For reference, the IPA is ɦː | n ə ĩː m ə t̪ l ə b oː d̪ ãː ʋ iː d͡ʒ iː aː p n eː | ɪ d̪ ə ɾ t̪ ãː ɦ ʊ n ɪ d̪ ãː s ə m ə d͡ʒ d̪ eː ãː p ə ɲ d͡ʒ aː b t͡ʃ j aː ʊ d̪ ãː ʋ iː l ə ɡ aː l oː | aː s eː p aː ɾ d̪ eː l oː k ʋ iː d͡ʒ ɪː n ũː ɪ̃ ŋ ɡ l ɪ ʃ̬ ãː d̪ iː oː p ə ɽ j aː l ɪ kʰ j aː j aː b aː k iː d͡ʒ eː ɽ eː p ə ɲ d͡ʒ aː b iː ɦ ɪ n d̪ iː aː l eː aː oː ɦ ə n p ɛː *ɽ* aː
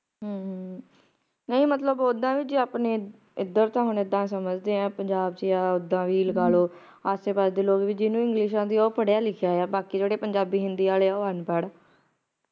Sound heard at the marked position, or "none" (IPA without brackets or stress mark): ɽ